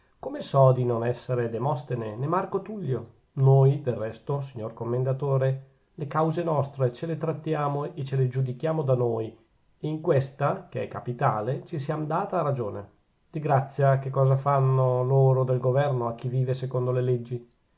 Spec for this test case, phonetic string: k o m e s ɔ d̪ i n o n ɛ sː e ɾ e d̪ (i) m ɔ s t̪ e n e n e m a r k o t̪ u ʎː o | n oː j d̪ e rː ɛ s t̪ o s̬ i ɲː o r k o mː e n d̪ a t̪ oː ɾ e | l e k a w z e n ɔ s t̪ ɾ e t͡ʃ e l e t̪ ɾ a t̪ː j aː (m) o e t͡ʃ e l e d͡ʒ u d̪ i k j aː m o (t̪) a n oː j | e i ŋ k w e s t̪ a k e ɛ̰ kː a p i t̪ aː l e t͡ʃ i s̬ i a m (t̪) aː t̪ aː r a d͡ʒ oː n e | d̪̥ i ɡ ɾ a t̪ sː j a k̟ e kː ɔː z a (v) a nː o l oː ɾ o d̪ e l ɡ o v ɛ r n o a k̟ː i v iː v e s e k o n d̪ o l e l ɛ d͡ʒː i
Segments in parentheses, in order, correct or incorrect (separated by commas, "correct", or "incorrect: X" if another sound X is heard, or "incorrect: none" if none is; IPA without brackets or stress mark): incorrect: e, correct, incorrect: d̪, incorrect: d̪, incorrect: f